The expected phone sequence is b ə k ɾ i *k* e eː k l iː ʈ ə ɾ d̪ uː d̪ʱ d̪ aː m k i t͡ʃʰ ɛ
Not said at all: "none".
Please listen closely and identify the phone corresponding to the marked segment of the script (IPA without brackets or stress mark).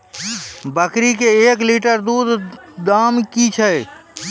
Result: k